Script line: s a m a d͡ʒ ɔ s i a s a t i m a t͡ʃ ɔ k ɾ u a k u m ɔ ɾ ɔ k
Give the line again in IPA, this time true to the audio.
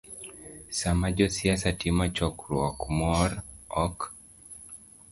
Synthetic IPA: s a m a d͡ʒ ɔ s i a s a t i m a t͡ʃ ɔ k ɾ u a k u m ɔ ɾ ɔ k